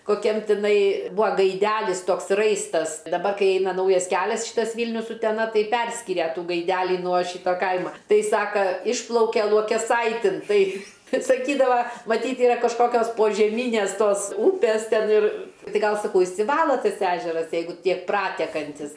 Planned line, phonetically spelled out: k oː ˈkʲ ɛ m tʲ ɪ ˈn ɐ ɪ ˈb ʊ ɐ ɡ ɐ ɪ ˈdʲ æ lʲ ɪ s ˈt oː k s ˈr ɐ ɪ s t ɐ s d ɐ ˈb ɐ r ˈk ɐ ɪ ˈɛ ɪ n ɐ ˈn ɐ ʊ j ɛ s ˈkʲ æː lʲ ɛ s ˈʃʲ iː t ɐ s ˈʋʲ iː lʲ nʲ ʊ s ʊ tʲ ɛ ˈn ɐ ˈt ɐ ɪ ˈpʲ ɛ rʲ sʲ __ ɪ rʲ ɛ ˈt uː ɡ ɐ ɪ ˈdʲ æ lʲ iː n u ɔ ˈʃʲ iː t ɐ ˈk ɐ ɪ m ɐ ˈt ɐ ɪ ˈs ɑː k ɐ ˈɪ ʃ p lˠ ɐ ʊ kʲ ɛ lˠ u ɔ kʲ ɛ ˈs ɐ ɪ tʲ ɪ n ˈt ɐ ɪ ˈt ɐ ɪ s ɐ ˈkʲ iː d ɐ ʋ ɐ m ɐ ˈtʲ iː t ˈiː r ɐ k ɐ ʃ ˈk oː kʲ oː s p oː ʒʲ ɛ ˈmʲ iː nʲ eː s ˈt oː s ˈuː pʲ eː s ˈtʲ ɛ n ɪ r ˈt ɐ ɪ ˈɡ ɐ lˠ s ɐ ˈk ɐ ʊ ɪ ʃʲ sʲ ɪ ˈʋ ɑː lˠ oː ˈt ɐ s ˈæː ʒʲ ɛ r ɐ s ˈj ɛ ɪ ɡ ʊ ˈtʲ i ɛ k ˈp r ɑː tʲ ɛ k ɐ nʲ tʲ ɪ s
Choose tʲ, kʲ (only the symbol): kʲ